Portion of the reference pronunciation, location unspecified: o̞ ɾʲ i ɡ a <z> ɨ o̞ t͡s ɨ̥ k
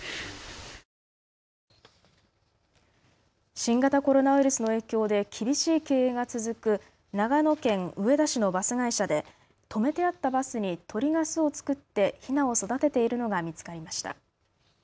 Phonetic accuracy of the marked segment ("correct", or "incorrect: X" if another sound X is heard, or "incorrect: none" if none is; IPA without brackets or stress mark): incorrect: s